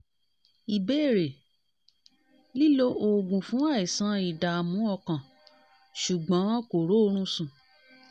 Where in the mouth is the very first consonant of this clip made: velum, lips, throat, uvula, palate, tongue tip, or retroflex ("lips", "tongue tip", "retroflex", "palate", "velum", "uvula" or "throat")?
lips